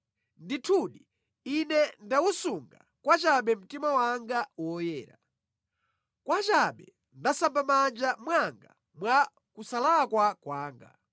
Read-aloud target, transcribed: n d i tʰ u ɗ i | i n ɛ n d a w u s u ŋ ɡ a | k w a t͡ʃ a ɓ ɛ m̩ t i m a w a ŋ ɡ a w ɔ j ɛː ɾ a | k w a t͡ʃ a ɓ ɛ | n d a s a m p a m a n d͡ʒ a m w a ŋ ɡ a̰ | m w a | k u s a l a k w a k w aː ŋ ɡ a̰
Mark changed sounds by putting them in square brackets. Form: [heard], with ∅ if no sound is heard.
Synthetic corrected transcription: n d i tʰ u ɗ i | i n ɛ n d a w u s u ŋ ɡ a | k w a t͡ʃ a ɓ ɛ m̩ t i m a w a ŋ ɡ a w ɔ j ɛː ɾ a | k w a t͡ʃ a ɓ ɛ | n d a s a m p a m a n d͡ʒ a m w a ŋ ɡ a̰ | m w a | k u s a l a k w a k w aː ŋ ɡ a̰